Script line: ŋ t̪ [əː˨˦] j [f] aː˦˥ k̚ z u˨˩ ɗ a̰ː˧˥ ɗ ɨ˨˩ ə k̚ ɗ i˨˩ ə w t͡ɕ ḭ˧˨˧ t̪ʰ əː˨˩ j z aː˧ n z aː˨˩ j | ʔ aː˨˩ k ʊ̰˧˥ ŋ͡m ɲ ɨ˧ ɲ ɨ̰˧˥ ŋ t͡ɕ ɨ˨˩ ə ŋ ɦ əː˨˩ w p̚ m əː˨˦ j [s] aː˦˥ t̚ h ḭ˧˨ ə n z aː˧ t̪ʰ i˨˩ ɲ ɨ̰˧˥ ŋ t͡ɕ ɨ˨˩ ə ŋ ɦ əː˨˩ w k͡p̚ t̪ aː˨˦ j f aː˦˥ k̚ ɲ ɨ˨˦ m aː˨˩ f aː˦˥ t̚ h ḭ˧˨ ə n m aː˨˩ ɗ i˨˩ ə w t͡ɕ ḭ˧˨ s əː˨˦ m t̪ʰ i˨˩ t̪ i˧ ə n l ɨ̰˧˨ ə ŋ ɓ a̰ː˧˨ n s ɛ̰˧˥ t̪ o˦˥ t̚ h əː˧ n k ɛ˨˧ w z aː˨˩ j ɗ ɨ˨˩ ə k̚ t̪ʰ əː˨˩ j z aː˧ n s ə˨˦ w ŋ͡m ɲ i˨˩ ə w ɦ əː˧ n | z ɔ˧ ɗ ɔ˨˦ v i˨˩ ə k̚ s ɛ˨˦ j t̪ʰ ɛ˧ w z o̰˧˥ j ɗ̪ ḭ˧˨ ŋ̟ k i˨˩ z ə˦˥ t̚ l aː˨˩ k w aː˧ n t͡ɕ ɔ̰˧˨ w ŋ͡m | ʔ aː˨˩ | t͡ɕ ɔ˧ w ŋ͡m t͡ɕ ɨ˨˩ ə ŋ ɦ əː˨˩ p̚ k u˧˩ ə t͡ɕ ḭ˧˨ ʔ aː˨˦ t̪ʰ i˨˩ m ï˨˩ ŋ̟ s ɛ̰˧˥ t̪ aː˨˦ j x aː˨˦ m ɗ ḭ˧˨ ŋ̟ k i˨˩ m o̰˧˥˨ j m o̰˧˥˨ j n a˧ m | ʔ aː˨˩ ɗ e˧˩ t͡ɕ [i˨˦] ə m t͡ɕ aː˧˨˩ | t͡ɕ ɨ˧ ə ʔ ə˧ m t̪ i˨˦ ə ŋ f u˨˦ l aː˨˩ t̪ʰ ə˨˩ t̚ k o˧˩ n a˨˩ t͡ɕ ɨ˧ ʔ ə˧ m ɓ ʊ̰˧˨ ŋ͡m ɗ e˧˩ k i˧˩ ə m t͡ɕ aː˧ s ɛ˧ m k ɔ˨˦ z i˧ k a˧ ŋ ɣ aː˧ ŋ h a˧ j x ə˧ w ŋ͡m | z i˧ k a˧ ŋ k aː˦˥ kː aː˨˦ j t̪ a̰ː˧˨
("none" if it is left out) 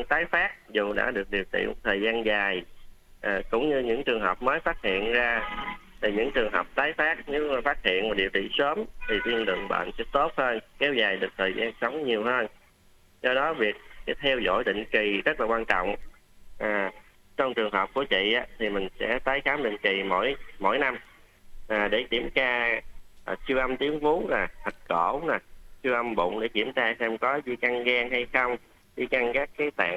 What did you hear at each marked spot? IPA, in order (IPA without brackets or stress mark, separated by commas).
aː˨˦, f, f, i˧˩